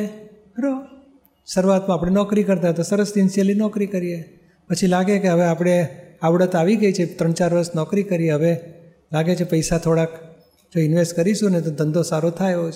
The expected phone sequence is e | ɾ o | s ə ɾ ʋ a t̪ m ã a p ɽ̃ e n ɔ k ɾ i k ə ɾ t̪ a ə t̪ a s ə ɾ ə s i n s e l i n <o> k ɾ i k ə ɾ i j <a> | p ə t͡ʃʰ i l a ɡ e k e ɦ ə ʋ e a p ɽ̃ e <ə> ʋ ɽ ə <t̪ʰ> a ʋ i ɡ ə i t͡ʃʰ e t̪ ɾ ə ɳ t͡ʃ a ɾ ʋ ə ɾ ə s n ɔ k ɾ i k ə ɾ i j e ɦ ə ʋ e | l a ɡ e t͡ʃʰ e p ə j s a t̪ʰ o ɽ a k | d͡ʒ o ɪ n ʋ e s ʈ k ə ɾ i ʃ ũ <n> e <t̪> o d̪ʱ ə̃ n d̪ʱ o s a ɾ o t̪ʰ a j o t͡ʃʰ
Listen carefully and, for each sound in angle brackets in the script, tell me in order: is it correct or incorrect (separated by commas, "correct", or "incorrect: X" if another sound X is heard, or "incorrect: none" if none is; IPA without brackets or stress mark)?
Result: incorrect: ɔ, incorrect: e, incorrect: a, incorrect: t̪, correct, correct